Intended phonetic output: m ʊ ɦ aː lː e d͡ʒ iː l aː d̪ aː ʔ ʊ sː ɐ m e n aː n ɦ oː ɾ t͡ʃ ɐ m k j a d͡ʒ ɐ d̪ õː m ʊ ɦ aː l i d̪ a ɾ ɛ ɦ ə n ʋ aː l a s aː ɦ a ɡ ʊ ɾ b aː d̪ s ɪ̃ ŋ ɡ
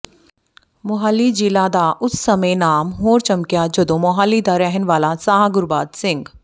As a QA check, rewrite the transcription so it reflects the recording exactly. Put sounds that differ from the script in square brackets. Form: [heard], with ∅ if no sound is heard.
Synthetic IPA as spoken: m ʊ ɦ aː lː [i] d͡ʒ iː l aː d̪ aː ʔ ʊ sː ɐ m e n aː [m] ɦ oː ɾ t͡ʃ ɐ m k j a d͡ʒ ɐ d̪ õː m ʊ ɦ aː l i d̪ a ɾ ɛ ɦ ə n ʋ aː l a s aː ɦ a ɡ ʊ ɾ b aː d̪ s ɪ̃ ŋ ɡ